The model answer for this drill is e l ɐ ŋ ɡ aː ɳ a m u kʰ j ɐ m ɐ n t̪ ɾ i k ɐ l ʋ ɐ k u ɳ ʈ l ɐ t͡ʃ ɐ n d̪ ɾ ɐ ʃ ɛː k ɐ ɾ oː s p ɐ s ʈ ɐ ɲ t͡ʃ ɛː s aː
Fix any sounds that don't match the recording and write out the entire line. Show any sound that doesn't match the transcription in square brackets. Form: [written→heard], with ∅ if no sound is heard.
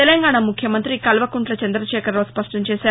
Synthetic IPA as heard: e l ɐ ŋ ɡ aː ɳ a m u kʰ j ɐ m ɐ n t̪ ɾ i k ɐ l ʋ ɐ k u ɳ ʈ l ɐ t͡ʃ ɐ n d̪ ɾ ɐ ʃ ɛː k ɐ ɾ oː s p ɐ [s→ʂ] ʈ ɐ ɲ t͡ʃ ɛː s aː